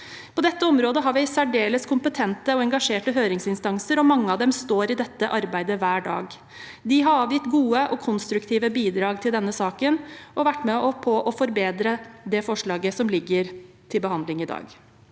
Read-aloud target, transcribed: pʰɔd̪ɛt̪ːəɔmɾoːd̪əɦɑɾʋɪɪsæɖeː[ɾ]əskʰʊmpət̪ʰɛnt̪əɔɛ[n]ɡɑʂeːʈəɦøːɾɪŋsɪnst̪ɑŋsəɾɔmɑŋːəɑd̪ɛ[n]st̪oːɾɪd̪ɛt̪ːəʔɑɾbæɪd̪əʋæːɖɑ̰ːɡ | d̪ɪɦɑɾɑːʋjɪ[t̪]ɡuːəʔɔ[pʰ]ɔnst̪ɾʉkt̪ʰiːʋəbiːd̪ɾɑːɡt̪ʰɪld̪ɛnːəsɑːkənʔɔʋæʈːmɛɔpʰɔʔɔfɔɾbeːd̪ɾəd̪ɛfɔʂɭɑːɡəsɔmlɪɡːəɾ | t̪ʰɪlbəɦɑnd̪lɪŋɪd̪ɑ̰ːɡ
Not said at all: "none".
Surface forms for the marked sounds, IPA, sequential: l, ŋ, m, t̪, kʰ

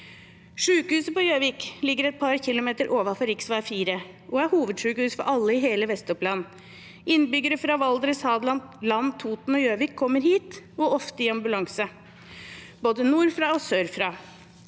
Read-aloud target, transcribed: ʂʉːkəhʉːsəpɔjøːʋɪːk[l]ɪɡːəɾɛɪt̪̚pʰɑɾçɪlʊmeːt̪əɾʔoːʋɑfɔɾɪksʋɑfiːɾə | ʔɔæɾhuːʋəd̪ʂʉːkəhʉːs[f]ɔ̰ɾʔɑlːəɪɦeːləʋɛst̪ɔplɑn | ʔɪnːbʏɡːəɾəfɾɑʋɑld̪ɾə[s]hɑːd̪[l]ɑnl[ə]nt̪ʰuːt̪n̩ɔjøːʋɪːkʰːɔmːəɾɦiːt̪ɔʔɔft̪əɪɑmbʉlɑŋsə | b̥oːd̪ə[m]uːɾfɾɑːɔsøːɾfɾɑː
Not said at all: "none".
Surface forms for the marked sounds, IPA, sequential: l, f, s, l, ɑ, n

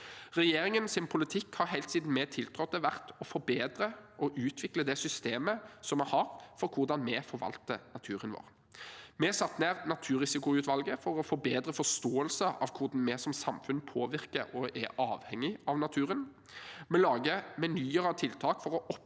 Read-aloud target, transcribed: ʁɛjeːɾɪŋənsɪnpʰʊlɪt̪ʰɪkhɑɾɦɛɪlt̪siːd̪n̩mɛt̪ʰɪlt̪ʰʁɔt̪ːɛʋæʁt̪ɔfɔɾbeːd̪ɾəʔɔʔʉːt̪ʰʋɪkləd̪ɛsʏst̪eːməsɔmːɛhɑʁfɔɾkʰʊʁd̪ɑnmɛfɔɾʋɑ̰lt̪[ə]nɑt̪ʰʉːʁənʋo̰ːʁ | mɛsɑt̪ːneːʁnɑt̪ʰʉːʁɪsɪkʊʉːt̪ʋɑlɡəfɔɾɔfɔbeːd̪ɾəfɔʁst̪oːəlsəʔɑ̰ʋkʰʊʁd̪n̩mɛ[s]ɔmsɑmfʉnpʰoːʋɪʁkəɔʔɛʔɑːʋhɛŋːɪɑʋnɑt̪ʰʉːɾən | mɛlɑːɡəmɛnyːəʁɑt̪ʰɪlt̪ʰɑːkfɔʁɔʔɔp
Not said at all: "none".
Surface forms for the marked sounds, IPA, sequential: ə, s

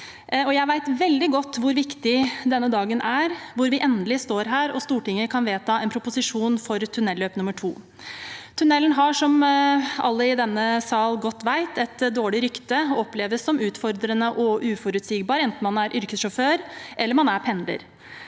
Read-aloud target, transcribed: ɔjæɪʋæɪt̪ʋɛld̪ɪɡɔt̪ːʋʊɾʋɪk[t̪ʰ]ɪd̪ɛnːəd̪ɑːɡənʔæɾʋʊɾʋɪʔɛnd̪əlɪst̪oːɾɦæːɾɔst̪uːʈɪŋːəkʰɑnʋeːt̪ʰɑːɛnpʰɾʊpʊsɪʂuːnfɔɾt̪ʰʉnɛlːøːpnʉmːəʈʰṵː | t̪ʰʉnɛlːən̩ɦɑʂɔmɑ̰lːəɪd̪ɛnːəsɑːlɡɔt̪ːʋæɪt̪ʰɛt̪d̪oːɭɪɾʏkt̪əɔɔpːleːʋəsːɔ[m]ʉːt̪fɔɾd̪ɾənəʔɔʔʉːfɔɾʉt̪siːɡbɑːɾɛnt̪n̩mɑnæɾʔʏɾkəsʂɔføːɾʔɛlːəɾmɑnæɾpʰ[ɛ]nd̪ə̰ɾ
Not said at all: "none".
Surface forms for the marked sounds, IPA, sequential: t̪, m, ɛ

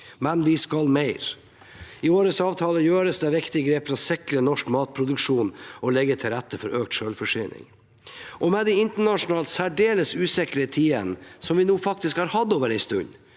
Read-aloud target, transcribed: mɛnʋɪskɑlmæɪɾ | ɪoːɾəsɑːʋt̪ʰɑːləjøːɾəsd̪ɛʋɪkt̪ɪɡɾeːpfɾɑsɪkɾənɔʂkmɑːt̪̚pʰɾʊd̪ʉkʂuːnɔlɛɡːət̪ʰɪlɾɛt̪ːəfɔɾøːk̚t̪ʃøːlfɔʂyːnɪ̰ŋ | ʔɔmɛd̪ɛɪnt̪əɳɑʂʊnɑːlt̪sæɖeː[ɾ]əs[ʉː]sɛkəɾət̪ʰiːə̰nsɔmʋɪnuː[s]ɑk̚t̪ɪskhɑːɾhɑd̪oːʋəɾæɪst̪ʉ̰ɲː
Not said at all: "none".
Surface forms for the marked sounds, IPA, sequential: l, ʉː, f

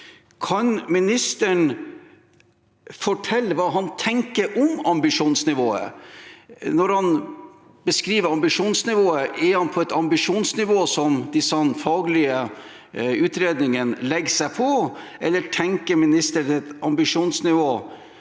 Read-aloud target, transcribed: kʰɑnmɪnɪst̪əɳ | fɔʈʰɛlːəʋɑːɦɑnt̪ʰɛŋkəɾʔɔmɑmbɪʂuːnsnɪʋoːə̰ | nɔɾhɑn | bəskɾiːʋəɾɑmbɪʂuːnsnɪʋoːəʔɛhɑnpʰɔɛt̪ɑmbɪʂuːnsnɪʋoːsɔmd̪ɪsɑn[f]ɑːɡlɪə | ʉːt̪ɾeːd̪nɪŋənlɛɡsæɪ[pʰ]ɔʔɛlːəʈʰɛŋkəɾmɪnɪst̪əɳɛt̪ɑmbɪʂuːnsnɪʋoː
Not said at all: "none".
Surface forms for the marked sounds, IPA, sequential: f, pʰ

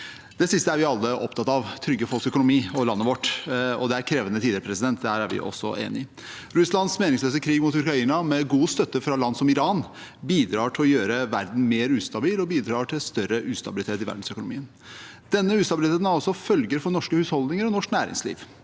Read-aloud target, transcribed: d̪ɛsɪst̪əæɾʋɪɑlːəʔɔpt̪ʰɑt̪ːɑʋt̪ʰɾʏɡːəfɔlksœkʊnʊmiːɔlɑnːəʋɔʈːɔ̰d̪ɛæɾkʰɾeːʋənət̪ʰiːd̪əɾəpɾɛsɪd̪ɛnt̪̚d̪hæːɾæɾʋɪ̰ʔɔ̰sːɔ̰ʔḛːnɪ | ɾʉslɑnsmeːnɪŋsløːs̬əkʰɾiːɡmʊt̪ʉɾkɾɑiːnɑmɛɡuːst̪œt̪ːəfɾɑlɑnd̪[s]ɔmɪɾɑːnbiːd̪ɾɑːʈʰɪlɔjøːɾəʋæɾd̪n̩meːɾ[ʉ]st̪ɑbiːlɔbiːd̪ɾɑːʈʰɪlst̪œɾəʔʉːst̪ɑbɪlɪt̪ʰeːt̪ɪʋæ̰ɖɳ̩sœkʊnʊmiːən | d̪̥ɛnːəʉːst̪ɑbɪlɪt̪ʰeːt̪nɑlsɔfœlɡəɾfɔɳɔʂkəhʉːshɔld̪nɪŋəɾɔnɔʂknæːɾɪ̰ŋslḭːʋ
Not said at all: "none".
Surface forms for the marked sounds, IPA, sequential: s, ʉː

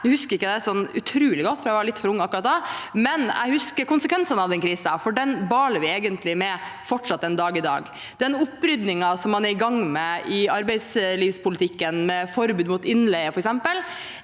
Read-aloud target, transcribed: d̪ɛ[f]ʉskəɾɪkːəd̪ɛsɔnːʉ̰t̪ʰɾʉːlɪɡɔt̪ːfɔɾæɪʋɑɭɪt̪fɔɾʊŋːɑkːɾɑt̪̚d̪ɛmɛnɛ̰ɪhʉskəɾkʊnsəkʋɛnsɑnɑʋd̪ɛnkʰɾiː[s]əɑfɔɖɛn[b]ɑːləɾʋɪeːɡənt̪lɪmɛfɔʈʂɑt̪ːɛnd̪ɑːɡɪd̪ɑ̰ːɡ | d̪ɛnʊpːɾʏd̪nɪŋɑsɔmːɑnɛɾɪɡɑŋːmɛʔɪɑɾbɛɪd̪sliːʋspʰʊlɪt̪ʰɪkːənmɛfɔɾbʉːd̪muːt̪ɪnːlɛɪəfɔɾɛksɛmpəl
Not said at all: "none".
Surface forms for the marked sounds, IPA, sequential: h, s, b

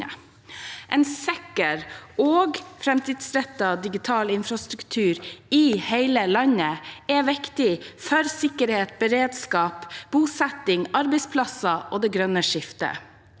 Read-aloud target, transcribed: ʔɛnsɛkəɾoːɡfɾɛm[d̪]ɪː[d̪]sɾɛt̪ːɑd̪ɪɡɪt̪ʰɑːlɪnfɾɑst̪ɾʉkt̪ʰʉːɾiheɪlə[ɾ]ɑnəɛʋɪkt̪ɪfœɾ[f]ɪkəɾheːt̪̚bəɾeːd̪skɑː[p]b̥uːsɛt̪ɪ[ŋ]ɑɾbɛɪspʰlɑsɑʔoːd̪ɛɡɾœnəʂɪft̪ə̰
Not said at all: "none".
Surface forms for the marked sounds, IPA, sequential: t̪, d̪, l, s, p, ŋ

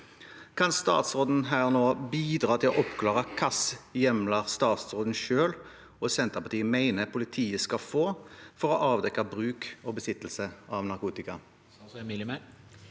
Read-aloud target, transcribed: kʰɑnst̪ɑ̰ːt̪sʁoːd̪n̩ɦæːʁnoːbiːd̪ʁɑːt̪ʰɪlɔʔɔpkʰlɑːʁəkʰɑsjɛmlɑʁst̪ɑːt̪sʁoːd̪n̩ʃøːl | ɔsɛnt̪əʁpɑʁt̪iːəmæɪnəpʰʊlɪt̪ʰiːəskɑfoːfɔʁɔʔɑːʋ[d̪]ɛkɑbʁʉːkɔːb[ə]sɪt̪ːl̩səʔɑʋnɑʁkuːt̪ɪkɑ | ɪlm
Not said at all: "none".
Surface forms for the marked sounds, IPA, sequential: d̪, ə

